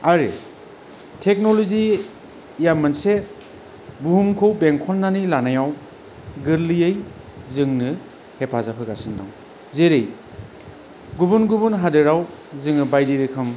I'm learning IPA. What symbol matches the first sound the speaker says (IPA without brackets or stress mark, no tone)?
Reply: a